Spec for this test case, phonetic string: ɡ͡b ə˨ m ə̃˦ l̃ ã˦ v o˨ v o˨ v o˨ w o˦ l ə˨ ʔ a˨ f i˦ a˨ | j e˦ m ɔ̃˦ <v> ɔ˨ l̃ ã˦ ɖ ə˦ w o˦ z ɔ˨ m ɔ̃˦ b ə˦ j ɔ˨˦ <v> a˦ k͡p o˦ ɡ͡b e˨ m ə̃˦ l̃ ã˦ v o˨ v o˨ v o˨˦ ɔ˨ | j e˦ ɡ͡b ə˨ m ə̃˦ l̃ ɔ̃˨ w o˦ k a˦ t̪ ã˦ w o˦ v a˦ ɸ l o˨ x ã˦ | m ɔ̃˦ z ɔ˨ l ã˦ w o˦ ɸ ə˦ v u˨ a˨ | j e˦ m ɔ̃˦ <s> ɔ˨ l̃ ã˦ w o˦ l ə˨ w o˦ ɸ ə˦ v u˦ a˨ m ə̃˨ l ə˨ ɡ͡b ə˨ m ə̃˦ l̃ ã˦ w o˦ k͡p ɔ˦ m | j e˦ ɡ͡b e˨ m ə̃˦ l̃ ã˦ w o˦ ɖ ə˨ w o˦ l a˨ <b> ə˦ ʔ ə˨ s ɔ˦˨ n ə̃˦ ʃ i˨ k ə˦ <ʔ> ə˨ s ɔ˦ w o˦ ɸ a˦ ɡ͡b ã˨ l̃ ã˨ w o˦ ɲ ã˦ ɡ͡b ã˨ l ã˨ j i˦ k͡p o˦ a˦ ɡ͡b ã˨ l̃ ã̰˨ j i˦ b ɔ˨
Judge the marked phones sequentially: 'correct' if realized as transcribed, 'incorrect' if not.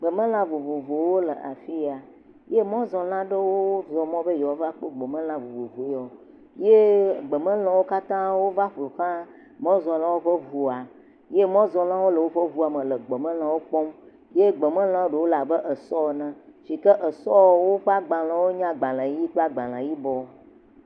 incorrect, correct, incorrect, correct, correct

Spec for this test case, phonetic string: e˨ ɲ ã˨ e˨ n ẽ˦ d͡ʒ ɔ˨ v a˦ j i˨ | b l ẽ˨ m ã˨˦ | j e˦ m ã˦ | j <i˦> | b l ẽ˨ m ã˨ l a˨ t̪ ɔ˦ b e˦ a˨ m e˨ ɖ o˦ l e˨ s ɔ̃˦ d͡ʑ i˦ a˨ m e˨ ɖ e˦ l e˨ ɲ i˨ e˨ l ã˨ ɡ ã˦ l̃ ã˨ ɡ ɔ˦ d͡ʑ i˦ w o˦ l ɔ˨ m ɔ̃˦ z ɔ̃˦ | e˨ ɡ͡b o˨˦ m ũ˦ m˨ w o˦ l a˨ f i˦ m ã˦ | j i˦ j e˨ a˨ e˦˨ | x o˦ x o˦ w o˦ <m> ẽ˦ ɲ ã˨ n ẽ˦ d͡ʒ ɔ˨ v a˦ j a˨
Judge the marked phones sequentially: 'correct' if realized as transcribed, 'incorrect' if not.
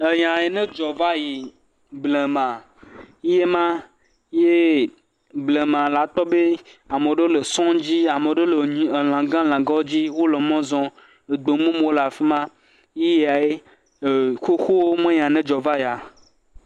incorrect, correct

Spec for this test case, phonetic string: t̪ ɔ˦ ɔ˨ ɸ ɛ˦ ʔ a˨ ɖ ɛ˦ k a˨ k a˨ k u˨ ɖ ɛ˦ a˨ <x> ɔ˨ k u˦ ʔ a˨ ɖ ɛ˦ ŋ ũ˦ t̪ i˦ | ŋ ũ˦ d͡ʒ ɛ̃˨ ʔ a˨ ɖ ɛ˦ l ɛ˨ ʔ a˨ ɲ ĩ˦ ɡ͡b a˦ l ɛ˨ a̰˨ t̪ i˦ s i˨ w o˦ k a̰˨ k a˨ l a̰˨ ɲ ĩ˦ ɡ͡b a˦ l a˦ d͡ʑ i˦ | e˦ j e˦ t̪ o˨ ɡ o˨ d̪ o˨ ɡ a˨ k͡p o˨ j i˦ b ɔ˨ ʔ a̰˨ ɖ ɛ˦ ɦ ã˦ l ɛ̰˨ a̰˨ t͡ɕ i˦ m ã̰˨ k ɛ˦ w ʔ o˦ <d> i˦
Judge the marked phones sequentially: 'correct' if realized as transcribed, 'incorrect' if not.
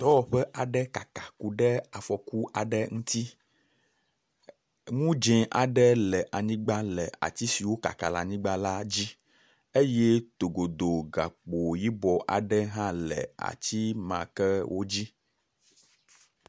incorrect, incorrect

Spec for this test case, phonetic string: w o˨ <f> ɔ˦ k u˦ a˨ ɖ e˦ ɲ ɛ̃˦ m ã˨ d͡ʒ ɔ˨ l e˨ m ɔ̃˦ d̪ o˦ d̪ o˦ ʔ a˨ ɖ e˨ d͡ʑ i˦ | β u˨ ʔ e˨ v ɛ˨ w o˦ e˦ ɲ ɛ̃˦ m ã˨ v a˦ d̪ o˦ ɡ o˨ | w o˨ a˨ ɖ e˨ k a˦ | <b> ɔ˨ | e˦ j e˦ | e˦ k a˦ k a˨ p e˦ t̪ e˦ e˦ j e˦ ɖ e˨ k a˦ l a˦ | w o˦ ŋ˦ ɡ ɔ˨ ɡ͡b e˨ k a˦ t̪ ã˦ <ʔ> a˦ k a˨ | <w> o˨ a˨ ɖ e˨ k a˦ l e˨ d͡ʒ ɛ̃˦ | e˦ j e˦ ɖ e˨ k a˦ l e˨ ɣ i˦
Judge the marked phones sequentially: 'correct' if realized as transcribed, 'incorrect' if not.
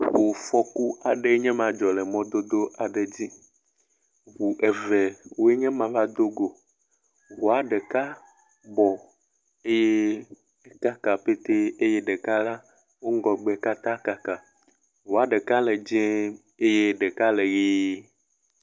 correct, correct, incorrect, correct

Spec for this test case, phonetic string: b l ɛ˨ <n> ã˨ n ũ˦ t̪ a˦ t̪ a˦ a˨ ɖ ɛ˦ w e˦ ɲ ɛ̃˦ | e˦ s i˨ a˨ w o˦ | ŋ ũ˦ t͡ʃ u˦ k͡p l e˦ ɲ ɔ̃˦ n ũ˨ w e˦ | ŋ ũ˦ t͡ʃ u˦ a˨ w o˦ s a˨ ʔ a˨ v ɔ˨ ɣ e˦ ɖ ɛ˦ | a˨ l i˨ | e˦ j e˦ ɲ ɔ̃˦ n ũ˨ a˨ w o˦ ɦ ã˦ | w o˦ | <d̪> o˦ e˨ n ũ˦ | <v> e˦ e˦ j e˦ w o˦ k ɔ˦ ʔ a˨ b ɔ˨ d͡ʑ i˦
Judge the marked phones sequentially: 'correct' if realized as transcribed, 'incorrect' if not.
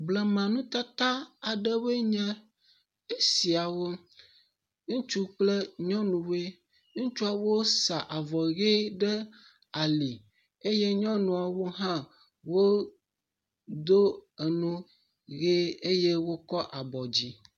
incorrect, correct, incorrect

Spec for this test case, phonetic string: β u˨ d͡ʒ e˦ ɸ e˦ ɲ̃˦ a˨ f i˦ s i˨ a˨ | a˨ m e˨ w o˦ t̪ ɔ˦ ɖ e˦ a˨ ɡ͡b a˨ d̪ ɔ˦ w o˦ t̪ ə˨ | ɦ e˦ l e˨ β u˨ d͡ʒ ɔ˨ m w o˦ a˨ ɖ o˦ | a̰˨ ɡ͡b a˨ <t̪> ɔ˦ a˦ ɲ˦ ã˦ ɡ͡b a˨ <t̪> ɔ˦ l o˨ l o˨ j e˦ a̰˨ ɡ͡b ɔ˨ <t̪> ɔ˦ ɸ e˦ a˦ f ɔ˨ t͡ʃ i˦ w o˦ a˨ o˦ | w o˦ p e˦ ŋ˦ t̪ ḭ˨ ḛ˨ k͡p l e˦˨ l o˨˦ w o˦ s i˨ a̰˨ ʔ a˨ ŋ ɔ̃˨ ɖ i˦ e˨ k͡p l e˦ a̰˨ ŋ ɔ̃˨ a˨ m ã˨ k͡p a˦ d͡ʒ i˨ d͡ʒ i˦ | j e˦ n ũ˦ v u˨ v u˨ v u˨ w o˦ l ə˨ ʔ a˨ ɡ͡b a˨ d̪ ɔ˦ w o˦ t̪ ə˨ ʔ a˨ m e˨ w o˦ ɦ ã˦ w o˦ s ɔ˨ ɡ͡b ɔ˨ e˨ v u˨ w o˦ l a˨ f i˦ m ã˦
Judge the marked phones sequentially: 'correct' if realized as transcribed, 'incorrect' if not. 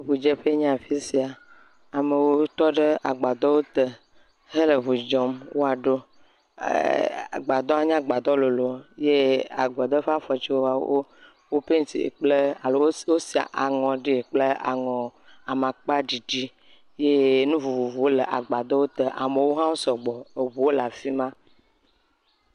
incorrect, incorrect, incorrect

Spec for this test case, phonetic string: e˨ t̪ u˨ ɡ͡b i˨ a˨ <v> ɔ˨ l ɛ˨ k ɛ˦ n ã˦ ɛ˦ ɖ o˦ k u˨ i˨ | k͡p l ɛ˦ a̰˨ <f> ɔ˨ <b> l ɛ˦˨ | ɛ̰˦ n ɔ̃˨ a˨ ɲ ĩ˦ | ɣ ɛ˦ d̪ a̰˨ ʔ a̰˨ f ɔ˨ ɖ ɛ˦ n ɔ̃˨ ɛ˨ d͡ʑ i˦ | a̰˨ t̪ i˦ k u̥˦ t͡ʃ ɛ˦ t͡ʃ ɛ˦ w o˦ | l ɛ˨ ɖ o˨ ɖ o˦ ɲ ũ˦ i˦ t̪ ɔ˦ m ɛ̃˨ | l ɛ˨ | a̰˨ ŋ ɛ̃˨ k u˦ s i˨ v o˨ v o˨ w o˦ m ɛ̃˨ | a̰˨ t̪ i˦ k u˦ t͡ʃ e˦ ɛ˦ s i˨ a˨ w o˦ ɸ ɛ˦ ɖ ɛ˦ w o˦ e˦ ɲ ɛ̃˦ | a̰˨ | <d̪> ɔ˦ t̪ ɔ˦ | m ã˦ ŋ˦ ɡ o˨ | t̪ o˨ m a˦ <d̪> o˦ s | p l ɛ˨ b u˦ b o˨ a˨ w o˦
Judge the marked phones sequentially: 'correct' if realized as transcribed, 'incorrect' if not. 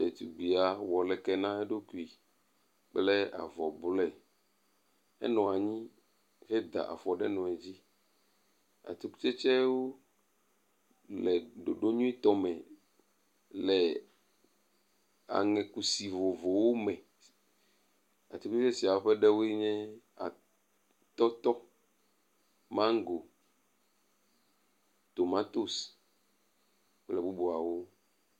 incorrect, incorrect, correct, incorrect, incorrect

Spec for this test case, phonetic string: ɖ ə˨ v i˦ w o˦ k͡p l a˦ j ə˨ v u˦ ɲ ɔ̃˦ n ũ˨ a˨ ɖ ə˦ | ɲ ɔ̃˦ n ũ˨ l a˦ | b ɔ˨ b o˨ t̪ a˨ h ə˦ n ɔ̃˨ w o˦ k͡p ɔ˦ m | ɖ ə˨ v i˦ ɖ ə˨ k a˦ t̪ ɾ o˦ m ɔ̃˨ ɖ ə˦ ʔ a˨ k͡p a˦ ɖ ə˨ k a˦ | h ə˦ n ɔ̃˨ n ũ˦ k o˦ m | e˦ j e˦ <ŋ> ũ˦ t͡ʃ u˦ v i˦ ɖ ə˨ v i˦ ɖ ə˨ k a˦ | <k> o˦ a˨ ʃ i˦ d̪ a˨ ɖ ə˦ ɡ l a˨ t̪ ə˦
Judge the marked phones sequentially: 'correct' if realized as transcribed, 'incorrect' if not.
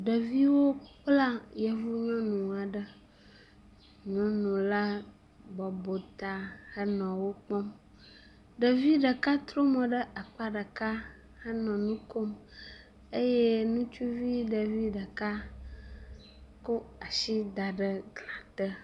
incorrect, correct

